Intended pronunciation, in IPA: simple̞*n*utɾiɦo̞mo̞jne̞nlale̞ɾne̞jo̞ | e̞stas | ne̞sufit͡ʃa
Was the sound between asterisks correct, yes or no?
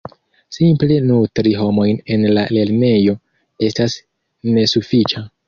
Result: yes